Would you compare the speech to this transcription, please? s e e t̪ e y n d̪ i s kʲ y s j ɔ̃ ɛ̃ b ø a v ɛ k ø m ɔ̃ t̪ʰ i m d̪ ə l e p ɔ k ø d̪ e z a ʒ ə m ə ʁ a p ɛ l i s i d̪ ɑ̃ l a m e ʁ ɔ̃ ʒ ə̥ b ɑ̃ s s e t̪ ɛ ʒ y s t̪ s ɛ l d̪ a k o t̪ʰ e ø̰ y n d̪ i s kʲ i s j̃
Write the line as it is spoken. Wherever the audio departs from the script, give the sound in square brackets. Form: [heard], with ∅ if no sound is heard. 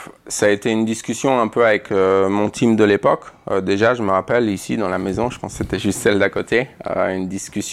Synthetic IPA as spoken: s [a] e t̪ e y n d̪ i s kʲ y s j ɔ̃ ɛ̃ [p] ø a v ɛ k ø m ɔ̃ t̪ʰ i m d̪ ə l e p ɔ k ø d̪ e [ʒ] a ʒ ə m ə ʁ a p ɛ l i s i d̪ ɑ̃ l a m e [z] ɔ̃ ʒ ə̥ [p] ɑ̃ s s e t̪ ɛ ʒ y s t̪ s ɛ l d̪ a k o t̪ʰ e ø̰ y n d̪ i s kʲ [y] s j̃